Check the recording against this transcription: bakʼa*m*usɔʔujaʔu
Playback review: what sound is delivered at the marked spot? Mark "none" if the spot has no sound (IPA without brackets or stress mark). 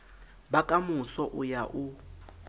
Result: m